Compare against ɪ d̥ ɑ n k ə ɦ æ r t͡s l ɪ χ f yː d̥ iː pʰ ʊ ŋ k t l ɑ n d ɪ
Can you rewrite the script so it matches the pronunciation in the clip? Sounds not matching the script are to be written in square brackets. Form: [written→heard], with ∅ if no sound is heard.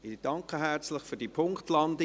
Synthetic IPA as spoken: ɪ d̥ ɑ [n→ŋ] k ə ɦ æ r t͡s l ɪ χ f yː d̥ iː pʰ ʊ ŋ k t l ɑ n d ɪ